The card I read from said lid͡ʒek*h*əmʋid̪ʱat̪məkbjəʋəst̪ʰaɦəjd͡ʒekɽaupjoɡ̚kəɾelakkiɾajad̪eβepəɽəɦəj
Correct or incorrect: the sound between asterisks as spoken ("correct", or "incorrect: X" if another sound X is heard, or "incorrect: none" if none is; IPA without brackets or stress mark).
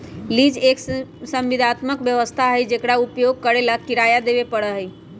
incorrect: s